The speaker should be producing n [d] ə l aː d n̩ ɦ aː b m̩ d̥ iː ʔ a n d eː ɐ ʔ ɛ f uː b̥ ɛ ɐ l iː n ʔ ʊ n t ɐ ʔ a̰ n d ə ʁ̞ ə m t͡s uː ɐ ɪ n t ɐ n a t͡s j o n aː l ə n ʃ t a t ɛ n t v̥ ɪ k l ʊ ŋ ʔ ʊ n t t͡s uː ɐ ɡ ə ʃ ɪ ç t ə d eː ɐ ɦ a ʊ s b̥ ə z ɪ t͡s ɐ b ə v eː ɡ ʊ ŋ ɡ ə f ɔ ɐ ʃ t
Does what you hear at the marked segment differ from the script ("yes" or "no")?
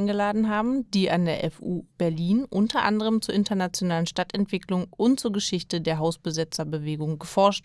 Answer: yes